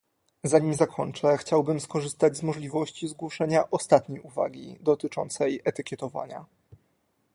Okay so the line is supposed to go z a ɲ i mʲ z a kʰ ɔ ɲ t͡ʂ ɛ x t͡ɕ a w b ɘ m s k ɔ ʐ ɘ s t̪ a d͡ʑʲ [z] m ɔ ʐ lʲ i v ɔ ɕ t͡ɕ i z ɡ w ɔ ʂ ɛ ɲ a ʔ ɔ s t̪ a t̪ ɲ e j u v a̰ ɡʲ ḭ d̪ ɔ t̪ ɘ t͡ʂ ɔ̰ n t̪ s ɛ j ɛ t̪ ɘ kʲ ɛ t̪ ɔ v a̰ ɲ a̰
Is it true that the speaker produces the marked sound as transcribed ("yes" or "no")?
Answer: yes